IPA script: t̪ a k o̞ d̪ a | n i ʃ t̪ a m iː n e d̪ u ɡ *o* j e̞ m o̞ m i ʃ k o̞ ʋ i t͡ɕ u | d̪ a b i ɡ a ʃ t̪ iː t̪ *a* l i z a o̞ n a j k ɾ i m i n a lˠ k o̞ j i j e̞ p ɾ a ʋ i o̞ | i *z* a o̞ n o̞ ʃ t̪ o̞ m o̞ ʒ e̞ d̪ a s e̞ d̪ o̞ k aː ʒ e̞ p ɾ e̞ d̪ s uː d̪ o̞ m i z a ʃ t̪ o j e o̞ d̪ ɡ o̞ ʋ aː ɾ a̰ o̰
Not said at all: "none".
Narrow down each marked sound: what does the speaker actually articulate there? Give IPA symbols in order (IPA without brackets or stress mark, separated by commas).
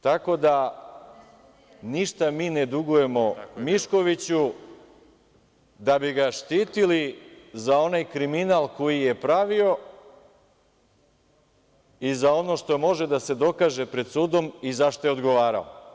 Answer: u, i, z